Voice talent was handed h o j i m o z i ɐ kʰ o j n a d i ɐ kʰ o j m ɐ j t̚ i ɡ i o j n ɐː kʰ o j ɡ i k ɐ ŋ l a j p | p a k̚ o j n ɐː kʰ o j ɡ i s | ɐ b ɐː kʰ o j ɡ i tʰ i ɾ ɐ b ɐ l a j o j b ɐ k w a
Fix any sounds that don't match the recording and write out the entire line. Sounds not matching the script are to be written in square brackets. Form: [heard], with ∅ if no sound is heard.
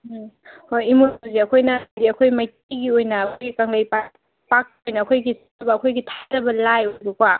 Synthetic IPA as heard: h o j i m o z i ɐ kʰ o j n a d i ɐ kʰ o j m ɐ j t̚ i ɡ i o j n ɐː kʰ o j ɡ i k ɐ ŋ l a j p | p a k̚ o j n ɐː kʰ o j ɡ i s | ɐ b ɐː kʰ o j ɡ i tʰ [a] ɾ ɐ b ɐ l a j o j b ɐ k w a

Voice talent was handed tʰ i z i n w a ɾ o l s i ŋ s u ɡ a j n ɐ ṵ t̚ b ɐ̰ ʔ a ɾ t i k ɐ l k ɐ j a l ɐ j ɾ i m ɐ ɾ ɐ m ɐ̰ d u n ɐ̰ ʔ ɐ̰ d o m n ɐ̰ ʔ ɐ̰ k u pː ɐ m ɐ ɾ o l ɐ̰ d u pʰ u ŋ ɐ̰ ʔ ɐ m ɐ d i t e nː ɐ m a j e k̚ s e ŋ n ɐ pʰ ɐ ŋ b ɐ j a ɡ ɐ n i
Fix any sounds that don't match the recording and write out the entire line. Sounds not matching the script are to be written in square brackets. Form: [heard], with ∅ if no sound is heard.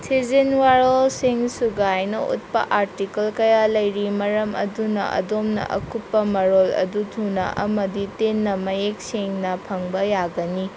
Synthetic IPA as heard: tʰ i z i n w a ɾ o l s i ŋ s u ɡ a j n ɐ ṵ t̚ [p] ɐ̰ ʔ a ɾ t i k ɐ l k ɐ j a l ɐ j ɾ i m ɐ ɾ ɐ m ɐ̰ d u n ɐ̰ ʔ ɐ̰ d o m n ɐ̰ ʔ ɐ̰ k u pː ɐ m ɐ ɾ o l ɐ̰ d u [tʰ] u [n] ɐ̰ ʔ ɐ m ɐ d i t e nː ɐ m [ɐ] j e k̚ s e ŋ n ɐ pʰ ɐ ŋ b ɐ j a ɡ ɐ n i

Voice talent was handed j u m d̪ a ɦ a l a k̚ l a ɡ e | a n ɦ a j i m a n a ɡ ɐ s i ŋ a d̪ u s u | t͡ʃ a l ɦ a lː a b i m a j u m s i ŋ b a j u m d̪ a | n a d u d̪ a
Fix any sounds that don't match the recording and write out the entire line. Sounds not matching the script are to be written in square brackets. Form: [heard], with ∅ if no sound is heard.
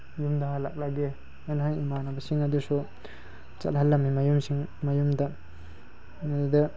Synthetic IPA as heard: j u m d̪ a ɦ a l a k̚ l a ɡ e | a n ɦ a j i m a n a [b] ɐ s i ŋ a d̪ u s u | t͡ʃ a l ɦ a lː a [m] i m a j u m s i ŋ [m] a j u m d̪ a | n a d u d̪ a

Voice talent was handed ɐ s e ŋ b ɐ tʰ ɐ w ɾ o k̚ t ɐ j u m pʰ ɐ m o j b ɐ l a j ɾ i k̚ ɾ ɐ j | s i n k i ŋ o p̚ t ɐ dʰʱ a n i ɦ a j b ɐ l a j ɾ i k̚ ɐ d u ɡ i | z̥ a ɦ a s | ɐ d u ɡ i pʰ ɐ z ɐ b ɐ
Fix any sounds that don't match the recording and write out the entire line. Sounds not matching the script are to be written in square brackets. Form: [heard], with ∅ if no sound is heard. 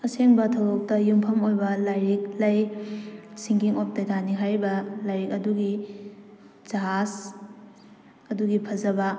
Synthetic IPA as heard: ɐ s e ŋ b ɐ tʰ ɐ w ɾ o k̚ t ɐ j u m pʰ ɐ m o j b ɐ l a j ɾ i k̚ [l] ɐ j | s i [ŋ] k i ŋ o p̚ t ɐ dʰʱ a n i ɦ a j b ɐ l a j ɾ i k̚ ɐ d u ɡ i | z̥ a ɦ a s | ɐ d u ɡ i pʰ ɐ z ɐ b ɐ

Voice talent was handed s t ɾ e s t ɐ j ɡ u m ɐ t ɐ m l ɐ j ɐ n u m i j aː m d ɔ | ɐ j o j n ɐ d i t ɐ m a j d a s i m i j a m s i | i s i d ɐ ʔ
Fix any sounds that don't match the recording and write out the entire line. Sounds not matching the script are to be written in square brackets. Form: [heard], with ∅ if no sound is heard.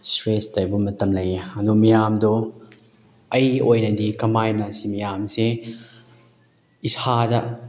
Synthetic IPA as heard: s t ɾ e s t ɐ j [b] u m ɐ t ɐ m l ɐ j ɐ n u m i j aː m d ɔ | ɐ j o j n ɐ d i [k] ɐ m a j [n] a s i m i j a m s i | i s [a] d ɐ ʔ

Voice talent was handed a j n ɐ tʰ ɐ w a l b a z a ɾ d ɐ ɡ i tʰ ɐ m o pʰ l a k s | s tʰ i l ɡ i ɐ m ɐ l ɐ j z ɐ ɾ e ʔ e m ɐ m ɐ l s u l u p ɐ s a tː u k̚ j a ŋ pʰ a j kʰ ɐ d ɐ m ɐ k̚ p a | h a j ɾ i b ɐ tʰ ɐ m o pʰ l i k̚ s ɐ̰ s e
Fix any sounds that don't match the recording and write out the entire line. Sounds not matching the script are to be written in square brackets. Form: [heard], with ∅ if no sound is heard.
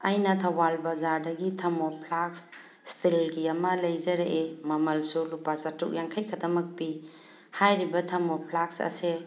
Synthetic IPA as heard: a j n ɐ tʰ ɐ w a l b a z a ɾ d ɐ ɡ i tʰ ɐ m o pʰ l a k s | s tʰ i l ɡ i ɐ m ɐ l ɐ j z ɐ ɾ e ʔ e m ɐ m ɐ l s u l u p [a] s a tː u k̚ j a ŋ [kʰ] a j kʰ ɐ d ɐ m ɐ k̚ p [i] | h a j ɾ i b ɐ tʰ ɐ m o pʰ l [a] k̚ s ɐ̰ s e

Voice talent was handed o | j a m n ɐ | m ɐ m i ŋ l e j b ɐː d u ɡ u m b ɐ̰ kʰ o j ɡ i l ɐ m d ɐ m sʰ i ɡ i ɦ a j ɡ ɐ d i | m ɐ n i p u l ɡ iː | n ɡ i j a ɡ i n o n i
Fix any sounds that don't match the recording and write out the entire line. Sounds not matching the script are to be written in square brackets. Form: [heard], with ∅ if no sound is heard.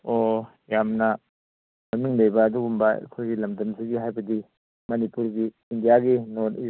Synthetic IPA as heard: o | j a m n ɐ | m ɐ m i ŋ l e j b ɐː d u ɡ u m b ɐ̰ kʰ o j ɡ i l ɐ m d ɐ m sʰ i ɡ i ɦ a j [b] ɐ d i | m ɐ n i p u [ɾ] ɡ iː | n [d] i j a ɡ i n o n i

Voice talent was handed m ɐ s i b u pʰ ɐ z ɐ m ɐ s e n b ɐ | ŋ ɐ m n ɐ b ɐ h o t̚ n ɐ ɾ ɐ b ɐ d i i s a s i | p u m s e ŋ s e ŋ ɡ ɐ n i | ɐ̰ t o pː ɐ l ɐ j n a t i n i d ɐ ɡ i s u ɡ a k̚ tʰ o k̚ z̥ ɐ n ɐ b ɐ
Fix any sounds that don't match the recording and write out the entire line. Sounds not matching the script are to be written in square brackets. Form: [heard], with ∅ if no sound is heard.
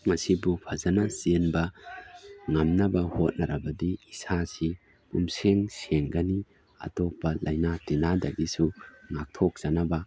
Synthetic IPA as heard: m ɐ s i b u pʰ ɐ z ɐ [n] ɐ s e n b ɐ | ŋ ɐ m n ɐ b ɐ h o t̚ n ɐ ɾ ɐ b ɐ d i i s a s i | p u m s e ŋ s e ŋ ɡ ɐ n i | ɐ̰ t o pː ɐ l ɐ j n a t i n [a] d ɐ ɡ i s u [ŋ] a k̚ tʰ o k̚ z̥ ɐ n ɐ b ɐ

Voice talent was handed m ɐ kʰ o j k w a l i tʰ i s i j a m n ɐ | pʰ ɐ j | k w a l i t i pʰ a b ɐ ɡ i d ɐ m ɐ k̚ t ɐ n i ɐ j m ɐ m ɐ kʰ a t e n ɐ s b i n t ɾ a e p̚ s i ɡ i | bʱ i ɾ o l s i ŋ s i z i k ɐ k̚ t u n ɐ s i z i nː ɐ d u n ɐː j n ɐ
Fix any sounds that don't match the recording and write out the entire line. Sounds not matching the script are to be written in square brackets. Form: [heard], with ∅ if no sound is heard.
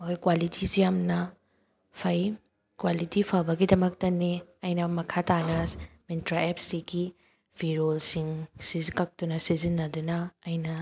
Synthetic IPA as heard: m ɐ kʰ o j k w a l i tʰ i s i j a m n ɐ | pʰ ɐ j | k w a l i t i pʰ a b ɐ ɡ i d ɐ m ɐ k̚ t ɐ n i ɐ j [n] ɐ m ɐ kʰ a t [a] n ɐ s [m] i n t ɾ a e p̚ s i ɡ i | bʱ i ɾ o l s i ŋ s i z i k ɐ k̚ t u n ɐ s i z i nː ɐ d u n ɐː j n ɐ

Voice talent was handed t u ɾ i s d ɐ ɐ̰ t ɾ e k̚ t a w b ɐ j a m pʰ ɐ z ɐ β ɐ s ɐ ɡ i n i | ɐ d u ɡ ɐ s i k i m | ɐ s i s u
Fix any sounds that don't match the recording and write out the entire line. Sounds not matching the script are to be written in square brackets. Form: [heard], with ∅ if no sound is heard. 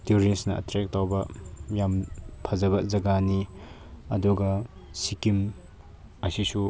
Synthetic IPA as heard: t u ɾ i s [n] ɐ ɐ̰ t ɾ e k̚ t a w b ɐ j a m pʰ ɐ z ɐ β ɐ [z] ɐ ɡ [a] n i | ɐ d u ɡ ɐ s i k i m | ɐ s i s u

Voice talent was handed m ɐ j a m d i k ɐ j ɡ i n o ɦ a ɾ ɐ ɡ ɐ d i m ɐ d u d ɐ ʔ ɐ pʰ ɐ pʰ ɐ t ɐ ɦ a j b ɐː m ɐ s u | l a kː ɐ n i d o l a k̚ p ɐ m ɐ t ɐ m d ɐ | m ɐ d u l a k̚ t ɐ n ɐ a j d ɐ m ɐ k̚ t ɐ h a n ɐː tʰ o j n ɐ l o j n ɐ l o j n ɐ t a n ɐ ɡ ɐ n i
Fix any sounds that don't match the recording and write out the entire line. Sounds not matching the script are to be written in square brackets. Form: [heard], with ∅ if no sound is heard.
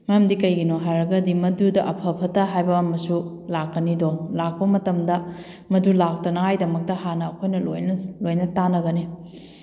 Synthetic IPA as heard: m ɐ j a m d i k ɐ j ɡ i n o ɦ a ɾ ɐ ɡ ɐ d i m ɐ d u d ɐ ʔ ɐ pʰ ɐ pʰ ɐ t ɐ ɦ a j b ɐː m ɐ s u | l a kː ɐ n i d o l a k̚ p ɐ m ɐ t ɐ m d ɐ | m ɐ d u l a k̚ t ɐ n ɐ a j d ɐ m ɐ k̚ t ɐ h a n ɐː [kʰ] o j n ɐ l o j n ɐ l o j n ɐ t a n ɐ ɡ ɐ n i

